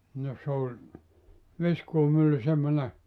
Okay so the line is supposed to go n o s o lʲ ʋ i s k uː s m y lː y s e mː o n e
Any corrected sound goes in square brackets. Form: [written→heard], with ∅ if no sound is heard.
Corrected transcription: n o s o lʲ ʋ i s k uː [s→∅] m y lː y s e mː o n e